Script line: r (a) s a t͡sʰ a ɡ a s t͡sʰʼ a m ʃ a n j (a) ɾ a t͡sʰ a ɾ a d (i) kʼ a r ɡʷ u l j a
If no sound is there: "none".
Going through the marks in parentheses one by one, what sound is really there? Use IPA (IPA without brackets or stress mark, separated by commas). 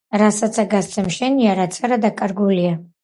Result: a, a, a